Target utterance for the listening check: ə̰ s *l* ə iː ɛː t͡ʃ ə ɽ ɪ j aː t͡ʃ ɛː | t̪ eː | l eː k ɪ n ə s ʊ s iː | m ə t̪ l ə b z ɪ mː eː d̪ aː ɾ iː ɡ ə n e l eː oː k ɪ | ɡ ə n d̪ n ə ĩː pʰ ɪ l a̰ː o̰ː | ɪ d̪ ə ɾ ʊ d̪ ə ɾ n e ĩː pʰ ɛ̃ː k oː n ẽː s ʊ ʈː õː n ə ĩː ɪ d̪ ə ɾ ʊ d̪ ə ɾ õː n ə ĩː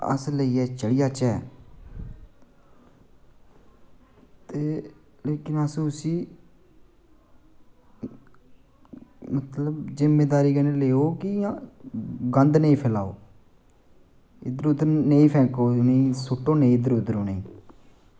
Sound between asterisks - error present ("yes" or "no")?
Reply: no